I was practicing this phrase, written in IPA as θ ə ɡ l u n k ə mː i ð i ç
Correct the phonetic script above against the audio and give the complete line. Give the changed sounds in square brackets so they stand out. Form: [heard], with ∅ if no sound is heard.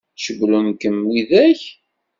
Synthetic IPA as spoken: [ʃ] ə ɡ l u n k ə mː i ð [æ] ç